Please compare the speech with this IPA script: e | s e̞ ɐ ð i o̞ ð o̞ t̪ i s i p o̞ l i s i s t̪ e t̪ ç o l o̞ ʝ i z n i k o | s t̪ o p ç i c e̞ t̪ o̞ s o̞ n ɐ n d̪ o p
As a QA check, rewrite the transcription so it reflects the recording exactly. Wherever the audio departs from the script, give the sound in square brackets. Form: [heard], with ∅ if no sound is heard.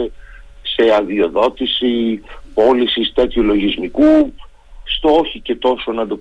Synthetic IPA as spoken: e | s e̞ ɐ ð i o̞ ð o̞ t̪ i s i p o̞ l i s i s t̪ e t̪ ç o l o̞ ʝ i z [m] i k [u] | s t̪ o [∅] ç i c e̞ t̪ o̞ s o̞ n ɐ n d̪ o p